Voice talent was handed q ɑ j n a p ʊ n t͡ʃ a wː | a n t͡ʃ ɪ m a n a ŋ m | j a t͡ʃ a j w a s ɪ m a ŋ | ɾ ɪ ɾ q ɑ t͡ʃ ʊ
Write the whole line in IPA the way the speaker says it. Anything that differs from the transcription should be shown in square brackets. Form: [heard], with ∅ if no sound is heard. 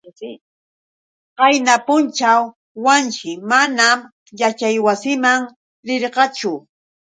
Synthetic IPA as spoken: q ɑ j n a p ʊ n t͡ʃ a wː | a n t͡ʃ ɪ m a n a [∅] m | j a t͡ʃ a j w a s ɪ m a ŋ | ɾ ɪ ɾ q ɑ t͡ʃ ʊ